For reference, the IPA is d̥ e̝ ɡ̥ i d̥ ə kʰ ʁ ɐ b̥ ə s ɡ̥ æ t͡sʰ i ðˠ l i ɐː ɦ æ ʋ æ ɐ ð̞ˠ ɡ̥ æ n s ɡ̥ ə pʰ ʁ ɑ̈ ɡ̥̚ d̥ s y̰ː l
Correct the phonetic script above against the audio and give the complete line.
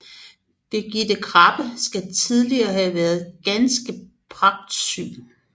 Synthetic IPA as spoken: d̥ e̝ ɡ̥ i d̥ ə kʰ ʁ ɑ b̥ ə s ɡ̥ æ t͡sʰ i ðˠ l i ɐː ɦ æ ʋ æ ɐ ð̞ˠ ɡ̥ æ n s ɡ̥ ə pʰ ʁ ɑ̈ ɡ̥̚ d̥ s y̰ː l